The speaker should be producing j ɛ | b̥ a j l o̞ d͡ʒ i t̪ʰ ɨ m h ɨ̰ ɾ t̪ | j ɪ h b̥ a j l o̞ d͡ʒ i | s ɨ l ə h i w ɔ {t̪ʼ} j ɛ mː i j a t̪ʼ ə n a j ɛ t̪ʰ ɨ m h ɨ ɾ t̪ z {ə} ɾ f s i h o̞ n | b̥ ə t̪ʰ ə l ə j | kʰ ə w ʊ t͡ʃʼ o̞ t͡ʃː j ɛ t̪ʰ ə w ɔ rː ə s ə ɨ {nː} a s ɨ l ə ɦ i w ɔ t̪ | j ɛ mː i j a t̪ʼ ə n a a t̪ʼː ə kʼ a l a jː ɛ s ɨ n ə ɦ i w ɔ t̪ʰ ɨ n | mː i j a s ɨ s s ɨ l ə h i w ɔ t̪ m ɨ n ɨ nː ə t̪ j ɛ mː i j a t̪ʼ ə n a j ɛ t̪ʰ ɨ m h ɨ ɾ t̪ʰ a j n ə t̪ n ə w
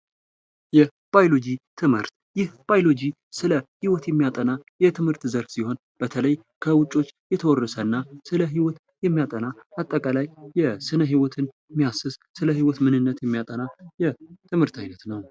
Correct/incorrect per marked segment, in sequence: incorrect, correct, correct

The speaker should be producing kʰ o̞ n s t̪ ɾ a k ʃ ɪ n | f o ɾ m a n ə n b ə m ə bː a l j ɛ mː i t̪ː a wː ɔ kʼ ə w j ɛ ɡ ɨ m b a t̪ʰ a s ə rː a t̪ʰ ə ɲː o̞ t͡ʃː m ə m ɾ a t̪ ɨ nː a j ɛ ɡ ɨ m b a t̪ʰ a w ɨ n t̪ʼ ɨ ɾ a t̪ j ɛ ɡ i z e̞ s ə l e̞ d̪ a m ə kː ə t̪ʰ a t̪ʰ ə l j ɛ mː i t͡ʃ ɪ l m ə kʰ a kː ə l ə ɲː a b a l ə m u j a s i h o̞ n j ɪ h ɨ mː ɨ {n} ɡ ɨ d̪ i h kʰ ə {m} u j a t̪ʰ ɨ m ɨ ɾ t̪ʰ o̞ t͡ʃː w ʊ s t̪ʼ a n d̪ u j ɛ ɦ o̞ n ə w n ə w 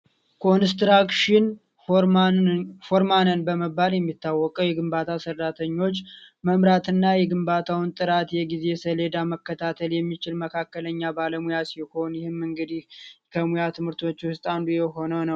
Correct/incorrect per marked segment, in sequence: incorrect, correct

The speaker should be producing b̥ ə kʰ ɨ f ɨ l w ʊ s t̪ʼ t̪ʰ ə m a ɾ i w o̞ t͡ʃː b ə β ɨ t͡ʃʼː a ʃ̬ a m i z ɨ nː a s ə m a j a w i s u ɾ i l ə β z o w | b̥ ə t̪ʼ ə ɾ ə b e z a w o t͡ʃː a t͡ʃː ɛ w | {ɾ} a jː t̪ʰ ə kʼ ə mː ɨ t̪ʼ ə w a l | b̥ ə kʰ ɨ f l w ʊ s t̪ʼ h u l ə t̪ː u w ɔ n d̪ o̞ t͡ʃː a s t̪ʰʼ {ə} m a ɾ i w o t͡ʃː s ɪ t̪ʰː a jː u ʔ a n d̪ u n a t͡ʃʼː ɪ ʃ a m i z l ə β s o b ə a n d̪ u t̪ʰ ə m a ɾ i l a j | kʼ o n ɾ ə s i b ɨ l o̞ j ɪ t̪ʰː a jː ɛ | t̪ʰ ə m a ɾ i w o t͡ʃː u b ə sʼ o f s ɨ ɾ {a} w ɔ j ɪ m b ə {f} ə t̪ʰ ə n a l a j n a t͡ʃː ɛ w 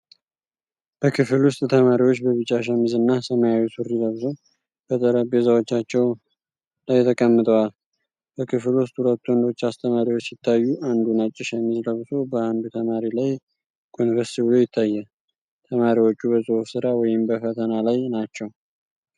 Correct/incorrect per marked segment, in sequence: incorrect, correct, correct, correct

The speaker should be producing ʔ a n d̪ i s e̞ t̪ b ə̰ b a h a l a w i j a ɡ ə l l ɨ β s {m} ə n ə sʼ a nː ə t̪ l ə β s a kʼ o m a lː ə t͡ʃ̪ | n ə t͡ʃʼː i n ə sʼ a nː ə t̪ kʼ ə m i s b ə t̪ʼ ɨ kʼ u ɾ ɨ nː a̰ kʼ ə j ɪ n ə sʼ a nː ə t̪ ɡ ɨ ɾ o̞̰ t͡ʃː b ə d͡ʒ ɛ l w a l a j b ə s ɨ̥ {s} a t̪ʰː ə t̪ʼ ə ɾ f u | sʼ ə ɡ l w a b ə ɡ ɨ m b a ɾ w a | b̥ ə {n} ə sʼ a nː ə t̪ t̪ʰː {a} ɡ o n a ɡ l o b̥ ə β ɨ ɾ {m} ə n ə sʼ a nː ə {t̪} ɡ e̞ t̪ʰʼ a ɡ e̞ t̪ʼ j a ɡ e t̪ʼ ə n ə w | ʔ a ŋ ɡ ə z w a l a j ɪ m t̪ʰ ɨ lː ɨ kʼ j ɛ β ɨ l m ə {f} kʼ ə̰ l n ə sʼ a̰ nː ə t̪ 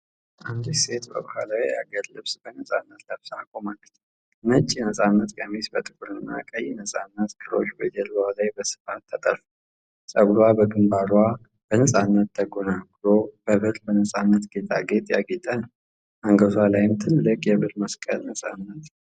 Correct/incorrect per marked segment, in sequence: incorrect, incorrect, correct, incorrect, incorrect, correct, incorrect

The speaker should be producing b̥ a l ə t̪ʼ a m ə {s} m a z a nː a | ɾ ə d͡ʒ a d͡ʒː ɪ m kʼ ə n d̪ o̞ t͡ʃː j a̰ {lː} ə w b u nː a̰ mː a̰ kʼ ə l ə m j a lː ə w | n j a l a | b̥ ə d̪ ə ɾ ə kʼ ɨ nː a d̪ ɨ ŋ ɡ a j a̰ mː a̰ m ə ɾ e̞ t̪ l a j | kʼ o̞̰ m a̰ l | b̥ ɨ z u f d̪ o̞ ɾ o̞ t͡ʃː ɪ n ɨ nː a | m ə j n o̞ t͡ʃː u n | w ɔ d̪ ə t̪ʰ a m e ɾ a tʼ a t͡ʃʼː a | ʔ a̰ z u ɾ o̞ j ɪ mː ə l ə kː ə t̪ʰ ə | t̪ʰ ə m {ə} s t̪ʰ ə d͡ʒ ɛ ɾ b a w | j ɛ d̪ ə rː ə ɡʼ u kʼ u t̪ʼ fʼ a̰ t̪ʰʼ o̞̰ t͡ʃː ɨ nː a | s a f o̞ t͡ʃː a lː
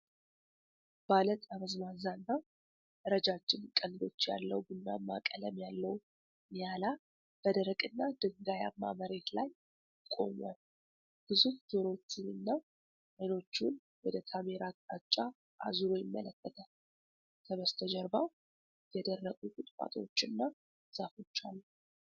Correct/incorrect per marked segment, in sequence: incorrect, correct, correct

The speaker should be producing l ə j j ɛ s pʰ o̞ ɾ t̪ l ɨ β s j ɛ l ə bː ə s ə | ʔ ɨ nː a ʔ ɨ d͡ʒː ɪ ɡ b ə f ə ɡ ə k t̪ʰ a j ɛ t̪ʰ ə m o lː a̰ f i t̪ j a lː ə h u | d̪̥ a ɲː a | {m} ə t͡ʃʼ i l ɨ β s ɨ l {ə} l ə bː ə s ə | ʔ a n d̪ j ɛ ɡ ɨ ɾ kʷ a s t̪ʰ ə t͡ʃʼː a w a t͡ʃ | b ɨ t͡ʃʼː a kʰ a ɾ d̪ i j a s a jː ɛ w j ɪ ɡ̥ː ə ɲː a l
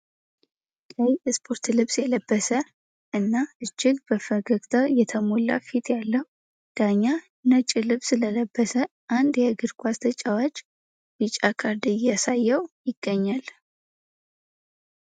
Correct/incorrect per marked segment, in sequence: incorrect, correct

